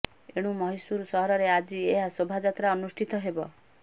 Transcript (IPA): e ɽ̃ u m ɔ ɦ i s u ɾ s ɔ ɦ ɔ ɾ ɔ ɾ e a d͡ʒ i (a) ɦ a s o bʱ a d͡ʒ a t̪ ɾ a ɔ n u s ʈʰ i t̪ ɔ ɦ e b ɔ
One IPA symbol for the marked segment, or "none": e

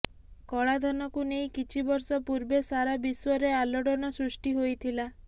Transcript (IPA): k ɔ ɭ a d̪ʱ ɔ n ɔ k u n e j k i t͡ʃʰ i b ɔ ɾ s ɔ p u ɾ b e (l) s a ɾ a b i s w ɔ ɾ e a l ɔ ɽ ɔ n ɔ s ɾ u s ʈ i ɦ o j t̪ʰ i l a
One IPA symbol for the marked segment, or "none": none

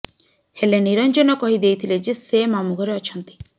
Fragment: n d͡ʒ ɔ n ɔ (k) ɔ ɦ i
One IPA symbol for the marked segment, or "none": k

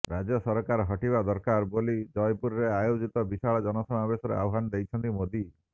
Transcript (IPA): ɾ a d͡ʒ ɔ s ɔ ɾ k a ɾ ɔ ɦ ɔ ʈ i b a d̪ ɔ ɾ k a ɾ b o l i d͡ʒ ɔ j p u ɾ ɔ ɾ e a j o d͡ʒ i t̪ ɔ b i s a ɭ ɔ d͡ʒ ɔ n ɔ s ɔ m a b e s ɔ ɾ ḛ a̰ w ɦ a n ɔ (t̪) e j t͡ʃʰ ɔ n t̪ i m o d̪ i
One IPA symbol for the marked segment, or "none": d̪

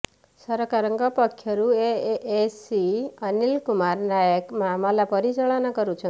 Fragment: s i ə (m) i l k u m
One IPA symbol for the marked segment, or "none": n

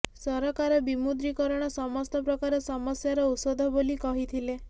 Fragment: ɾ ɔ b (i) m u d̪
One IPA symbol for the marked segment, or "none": i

